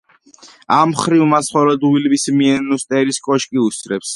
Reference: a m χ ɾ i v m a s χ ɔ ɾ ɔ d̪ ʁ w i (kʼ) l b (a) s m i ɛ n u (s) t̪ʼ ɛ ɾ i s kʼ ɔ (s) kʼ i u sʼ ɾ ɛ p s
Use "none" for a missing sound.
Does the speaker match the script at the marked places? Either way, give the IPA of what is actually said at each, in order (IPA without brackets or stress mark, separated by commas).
none, i, s, ʃ